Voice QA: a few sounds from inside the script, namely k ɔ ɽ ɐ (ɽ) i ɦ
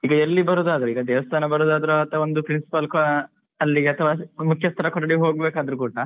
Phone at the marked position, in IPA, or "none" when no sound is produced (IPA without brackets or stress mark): ɽ